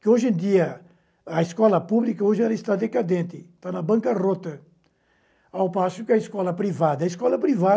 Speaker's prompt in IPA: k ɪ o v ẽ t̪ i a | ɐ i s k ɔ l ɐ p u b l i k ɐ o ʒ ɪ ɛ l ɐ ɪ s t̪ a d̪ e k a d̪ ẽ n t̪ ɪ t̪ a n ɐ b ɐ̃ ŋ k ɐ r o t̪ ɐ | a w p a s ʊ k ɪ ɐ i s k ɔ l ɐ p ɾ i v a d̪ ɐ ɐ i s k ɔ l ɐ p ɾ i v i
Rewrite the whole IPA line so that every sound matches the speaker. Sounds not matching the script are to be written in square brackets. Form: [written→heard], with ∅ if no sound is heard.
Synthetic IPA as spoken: k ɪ o [v→ʒ] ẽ [t̪→d̪] i [a→ɐ] | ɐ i s k ɔ l ɐ p u b l i k ɐ o ʒ ɪ ɛ l ɐ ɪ s t̪ a d̪ e k a d̪ ẽ n t̪ ɪ t̪ a n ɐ b ɐ̃ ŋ k ɐ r o t̪ ɐ | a w p a s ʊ k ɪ ɐ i s k ɔ l ɐ p ɾ i v a d̪ ɐ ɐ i s k ɔ l ɐ p ɾ i v [i→a]

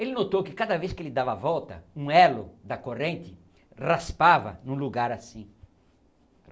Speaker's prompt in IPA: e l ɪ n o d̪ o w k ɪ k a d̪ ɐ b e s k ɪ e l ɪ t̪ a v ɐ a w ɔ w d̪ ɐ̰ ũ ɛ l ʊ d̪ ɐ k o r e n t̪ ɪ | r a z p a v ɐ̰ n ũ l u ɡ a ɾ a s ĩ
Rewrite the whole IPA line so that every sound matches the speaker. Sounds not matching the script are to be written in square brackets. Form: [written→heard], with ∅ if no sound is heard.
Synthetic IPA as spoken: e l ɪ n o [d̪→t̪] o w k ɪ k a d̪ ɐ [b→v] e s k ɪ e l ɪ [t̪→d̪] a v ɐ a [w→v] ɔ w [d̪→t̪] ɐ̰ ũ ɛ l ʊ d̪ ɐ k o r [e→ẽ] n t̪ ɪ | r a [z→s] p a v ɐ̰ n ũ l u ɡ a ɾ a s ĩ

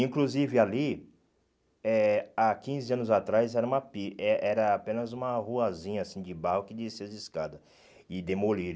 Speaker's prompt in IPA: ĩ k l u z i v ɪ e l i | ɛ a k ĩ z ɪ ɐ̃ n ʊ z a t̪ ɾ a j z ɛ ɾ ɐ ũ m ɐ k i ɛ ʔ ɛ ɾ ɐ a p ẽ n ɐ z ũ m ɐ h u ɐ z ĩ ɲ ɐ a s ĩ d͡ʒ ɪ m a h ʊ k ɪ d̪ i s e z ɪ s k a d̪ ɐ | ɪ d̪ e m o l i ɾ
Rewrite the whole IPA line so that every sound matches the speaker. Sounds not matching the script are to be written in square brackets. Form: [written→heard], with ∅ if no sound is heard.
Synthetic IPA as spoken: ĩ k l u z i v ɪ [e→a] l i | ɛ a k ĩ z ɪ ɐ̃ n ʊ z a t̪ ɾ a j z ɛ ɾ ɐ ũ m ɐ [k→p] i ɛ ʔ ɛ ɾ ɐ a p ẽ n ɐ z ũ m ɐ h u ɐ z ĩ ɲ ɐ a s ĩ d͡ʒ ɪ [m→b] a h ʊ k ɪ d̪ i s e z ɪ s k a d̪ ɐ | ɪ d̪ e m o l i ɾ

